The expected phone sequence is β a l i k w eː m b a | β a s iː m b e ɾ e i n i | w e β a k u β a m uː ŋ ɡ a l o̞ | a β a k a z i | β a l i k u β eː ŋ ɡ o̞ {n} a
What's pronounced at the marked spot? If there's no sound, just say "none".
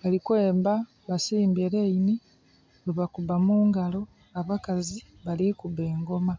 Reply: m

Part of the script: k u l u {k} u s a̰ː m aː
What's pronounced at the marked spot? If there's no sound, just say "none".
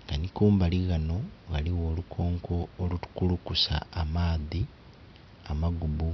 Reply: k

